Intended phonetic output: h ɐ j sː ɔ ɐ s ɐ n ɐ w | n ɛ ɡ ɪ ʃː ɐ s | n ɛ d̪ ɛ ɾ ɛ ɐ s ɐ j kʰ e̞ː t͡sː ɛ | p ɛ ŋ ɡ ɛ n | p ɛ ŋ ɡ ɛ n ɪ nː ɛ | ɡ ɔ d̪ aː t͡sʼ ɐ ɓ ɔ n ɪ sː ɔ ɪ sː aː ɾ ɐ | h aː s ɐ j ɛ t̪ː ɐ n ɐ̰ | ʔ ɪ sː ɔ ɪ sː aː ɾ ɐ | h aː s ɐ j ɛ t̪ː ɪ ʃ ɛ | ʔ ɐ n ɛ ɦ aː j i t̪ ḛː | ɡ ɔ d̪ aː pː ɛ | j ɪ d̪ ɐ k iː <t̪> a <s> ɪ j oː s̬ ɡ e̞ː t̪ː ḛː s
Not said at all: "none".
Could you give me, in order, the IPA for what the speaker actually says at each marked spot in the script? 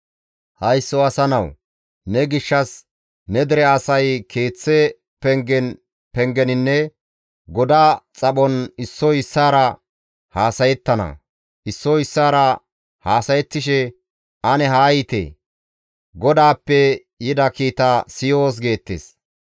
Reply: t̪, s

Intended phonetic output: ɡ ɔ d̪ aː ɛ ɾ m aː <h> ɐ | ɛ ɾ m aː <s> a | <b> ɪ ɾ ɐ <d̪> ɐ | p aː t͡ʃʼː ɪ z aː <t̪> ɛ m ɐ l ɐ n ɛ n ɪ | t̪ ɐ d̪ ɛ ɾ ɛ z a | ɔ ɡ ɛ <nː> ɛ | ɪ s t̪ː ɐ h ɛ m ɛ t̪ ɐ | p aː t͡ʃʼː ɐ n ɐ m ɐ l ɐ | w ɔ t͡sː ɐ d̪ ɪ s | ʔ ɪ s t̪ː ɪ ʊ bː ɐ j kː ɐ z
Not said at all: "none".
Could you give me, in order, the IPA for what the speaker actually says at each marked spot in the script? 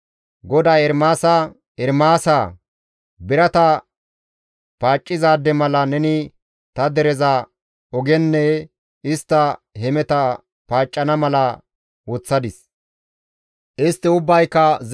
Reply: s, s, b, t̪, d̪, nː

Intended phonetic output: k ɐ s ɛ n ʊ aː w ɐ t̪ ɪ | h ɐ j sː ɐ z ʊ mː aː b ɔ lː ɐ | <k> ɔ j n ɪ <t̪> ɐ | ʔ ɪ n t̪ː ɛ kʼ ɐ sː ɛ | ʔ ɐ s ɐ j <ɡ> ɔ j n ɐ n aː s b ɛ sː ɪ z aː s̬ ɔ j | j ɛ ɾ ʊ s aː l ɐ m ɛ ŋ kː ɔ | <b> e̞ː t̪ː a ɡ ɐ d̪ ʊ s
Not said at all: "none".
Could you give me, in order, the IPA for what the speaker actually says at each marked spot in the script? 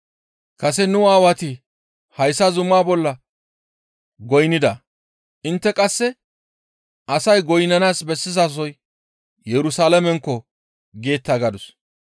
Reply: ɡ, d̪, ɡ, ɡ

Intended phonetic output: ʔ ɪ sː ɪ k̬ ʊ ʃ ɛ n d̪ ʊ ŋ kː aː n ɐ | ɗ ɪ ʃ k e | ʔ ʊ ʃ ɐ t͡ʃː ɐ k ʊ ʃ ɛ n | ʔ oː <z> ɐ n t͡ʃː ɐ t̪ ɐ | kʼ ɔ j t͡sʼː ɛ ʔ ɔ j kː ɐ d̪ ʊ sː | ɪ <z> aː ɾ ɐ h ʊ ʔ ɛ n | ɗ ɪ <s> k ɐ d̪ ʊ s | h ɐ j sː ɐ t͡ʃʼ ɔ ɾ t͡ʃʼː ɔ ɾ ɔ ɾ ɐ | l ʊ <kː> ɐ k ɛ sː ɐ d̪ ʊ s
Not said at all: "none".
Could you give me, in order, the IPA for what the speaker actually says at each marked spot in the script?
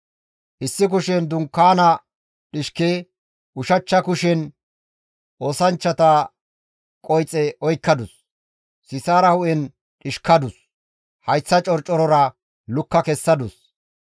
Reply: s, s, ʃ, kː

